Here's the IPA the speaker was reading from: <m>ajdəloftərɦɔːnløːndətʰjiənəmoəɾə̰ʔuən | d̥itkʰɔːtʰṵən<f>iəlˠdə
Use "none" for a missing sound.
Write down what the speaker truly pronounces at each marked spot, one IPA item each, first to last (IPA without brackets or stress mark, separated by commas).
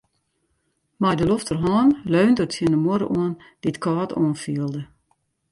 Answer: m, f